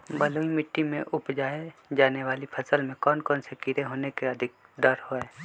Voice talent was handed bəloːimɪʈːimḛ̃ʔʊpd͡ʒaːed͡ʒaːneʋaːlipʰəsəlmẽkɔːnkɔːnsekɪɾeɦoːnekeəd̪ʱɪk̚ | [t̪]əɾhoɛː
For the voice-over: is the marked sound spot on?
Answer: no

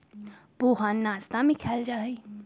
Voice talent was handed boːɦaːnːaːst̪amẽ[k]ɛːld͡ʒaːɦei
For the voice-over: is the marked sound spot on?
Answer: no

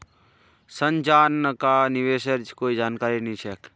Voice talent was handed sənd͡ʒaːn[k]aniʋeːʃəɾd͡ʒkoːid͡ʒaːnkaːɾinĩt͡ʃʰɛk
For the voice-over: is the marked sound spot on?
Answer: yes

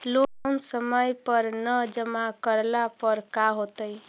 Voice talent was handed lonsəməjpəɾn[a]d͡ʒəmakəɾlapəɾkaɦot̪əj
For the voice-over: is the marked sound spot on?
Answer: no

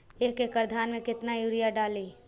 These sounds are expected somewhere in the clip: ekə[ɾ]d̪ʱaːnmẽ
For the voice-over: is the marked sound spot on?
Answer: yes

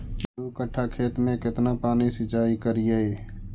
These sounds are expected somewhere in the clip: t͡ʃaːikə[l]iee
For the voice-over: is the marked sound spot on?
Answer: no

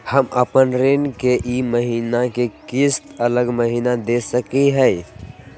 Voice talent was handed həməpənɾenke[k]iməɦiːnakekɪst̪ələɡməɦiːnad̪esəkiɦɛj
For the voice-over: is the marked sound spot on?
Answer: no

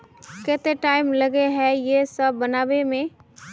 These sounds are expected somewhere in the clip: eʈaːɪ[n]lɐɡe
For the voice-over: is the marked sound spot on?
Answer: no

